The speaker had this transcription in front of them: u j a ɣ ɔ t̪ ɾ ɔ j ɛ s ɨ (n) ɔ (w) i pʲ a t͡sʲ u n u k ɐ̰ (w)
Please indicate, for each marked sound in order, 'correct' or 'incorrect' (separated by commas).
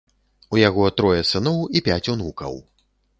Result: correct, correct, correct